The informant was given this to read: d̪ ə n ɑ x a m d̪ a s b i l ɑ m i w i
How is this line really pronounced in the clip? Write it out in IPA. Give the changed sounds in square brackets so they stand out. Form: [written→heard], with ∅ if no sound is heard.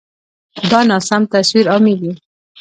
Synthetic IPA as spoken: d̪ [ə→ɑ] n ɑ [x→s] a m [d̪→t̪] a s [b→w] i [l→ɾ] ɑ m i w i

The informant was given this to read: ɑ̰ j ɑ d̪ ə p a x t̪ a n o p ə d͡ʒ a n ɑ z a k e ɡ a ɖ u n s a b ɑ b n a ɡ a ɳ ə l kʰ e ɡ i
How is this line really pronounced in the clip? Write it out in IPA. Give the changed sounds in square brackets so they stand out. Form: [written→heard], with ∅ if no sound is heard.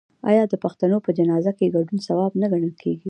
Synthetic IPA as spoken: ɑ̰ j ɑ d̪ ə p a x t̪ a n o p ə d͡ʒ a n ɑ z a k e ɡ a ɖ u n s a [b→w] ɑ b n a ɡ a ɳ ə l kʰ e ɡ i

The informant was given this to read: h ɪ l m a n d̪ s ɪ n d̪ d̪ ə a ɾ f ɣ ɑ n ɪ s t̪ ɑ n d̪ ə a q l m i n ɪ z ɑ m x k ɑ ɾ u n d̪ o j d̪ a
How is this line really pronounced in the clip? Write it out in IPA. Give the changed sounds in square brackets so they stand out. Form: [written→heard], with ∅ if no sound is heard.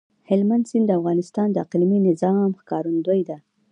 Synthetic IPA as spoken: h ɪ l m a n d̪ s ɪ n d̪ d̪ ə a [ɾ→∅] f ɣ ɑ n ɪ s t̪ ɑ n d̪ ə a q l m i n ɪ z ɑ m x k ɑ ɾ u n d̪ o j d̪ a

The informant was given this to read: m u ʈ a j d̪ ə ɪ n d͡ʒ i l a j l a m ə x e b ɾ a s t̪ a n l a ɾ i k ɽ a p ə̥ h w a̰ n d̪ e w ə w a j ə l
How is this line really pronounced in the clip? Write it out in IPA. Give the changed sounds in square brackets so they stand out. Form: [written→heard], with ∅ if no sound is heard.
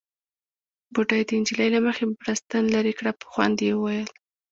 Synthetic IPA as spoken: [m→b] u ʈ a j d̪ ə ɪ n d͡ʒ i l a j l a m ə x e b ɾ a s t̪ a n l a ɾ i k ɽ a p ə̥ [h→x] w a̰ n d̪ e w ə w a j ə l

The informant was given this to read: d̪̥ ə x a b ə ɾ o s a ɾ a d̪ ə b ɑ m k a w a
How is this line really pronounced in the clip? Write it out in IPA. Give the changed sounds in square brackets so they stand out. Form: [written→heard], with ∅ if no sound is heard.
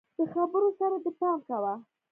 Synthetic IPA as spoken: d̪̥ ə x a b ə ɾ o s a ɾ a d̪ ə [b→p] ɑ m k a w a

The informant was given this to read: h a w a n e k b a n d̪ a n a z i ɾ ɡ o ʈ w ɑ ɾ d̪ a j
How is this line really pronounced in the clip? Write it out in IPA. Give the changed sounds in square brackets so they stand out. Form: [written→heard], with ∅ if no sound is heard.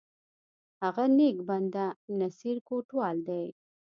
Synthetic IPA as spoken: h a [w→ɣ] a n e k b a n d̪ a n a [z→s] i ɾ [ɡ→k] o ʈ w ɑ [ɾ→l] d̪ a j

